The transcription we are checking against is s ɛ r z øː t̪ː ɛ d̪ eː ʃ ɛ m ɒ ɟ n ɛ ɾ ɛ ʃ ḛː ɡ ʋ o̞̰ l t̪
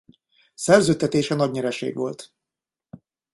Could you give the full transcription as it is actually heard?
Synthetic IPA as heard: s ɛ r z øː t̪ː ɛ t̪ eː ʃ ɛ n ɒ ɟ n ɛ ɾ ɛ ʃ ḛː ɡ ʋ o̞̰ l t̪

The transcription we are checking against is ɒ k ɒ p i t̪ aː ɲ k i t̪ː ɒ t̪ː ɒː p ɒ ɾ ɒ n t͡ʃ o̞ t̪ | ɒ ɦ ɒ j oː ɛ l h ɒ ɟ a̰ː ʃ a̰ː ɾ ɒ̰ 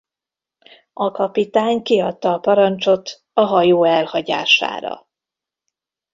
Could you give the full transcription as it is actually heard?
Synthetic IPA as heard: ɒ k ɒ p i t̪ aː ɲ k i ɒ t̪ː ɒː p ɒ ɾ ɒ n t͡ʃ o̞ t̪ | ɒ ɦ ɒ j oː ɛ l h ɒ ɟ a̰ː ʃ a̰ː ɾ ɒ̰

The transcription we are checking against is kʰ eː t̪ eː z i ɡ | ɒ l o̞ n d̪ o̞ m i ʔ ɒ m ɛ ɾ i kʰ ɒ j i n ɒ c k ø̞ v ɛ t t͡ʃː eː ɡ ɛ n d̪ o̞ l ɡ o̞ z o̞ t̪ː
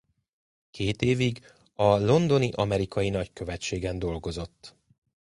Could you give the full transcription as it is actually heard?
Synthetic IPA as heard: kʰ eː t̪ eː v i ɡ | ɒ l o̞ n d̪ o̞ n i ʔ ɒ m ɛ ɾ i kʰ ɒ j i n ɒ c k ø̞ v ɛ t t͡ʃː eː ɡ ɛ n d̪ o̞ l ɡ o̞ z o̞ t̪ː

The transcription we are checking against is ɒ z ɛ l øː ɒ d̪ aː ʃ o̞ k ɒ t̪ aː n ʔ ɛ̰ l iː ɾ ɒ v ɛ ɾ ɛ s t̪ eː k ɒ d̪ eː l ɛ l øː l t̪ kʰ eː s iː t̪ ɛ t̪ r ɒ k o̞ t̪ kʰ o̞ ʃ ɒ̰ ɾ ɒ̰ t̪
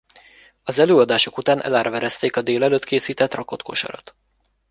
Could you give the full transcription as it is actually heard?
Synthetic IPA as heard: ɒ z ɛ l øː ɒ d̪ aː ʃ o̞ k u t̪ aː n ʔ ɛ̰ l aː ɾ ɒ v ɛ ɾ ɛ s t̪ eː k ɒ d̪ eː l ɛ l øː t̪ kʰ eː s iː t̪ ɛ t̪ r ɒ k o̞ t̪ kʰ o̞ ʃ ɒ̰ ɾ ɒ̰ t̪

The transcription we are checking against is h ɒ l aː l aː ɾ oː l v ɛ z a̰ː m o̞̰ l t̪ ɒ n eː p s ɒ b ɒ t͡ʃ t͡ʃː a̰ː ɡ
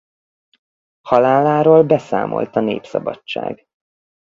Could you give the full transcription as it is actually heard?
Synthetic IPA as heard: h ɒ l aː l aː ɾ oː l b ɛ s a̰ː m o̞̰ l t̪ ɒ n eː p s ɒ b ɒ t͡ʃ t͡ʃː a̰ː ɡ

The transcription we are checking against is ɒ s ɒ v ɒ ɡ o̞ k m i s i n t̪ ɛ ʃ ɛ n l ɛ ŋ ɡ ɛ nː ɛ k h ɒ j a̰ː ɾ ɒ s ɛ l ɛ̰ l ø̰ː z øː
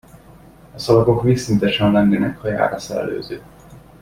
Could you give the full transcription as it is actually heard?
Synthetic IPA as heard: ɒ s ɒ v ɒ k o̞ k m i s i n t̪ ɛ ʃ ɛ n l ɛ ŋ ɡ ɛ n ɛ k h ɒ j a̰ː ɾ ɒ s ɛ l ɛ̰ l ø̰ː z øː

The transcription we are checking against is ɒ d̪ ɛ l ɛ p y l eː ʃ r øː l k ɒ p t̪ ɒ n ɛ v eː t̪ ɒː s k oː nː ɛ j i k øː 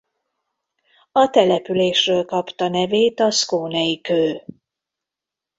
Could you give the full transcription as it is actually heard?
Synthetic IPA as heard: ɒ t̪ ɛ l ɛ p y l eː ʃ r øː l k ɒ p t̪ ɒ n ɛ v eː t̪ ɒ s k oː n ɛ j i k øː

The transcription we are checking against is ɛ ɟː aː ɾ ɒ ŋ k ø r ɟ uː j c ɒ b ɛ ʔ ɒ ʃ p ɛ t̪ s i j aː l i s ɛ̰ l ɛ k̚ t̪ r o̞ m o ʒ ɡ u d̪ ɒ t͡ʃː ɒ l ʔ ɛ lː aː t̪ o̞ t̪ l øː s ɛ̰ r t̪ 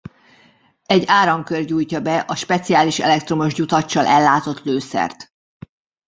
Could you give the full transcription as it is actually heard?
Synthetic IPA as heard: ɛ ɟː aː ɾ ɒ ŋ k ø r ɟ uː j c ɒ b ɛ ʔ ɒ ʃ p ɛ t̪ s i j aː l i ʃ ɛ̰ l ɛ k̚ t̪ r o̞ m o ʒ ɟ u t̪ ɒ t͡ʃː ɒ l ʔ ɛ lː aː t̪ o̞ t̪ l øː s ɛ̰ r t̪

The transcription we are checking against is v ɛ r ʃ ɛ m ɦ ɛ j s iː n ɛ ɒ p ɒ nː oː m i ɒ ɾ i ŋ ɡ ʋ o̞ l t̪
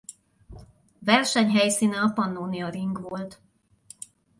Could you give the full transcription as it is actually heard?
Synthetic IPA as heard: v ɛ r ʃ ɛ ɲ ɦ ɛ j s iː n ɛ ɒ p ɒ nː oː n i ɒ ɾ i ŋ ɡ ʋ o̞ l t̪

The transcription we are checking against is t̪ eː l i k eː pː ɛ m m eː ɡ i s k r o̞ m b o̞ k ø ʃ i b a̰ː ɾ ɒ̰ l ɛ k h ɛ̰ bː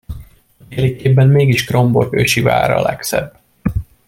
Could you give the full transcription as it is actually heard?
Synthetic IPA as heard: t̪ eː l i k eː bː ɛ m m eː ɡ i ʃ k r o̞ m b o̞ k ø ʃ i v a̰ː ɾ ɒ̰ l ɛ k s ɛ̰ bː

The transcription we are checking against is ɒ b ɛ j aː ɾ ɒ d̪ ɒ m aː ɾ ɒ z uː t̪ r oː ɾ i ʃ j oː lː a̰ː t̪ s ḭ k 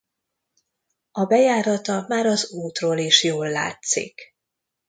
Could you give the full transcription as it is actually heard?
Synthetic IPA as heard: ɒ b ɛ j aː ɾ ɒ t̪ ɒ m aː ɾ ɒ z uː t̪ r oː l i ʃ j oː lː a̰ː t̪ s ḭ k

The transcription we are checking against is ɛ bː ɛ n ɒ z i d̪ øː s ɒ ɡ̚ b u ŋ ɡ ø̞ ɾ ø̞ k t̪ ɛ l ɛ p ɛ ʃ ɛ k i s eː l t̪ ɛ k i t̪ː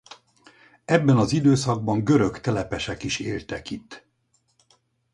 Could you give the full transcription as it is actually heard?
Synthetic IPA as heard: ɛ bː ɛ n ɒ z i d̪ øː s ɒ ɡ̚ b ɒ ŋ ɡ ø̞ ɾ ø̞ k t̪ ɛ l ɛ p ɛ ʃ ɛ k i ʃ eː l t̪ ɛ k i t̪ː

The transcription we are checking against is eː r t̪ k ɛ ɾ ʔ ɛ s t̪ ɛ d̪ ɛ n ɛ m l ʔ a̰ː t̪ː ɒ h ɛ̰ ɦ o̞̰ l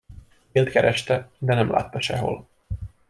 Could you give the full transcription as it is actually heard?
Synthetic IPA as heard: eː l t̪ k ɛ ɾ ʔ ɛ ʃ t̪ ɛ d̪ ɛ n ɛ m l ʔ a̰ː t̪ː ɒ ʃ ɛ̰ ɦ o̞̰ l

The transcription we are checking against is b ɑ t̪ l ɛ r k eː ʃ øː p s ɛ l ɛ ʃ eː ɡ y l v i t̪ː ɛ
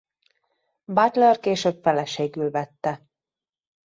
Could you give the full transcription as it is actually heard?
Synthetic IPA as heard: b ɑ t̪ l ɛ r k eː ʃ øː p f ɛ l ɛ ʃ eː ɡ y l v ɛ t̪ː ɛ

